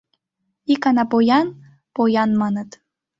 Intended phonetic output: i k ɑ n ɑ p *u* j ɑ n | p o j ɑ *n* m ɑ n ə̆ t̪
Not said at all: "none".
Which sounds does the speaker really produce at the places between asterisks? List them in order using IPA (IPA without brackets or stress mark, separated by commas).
o, n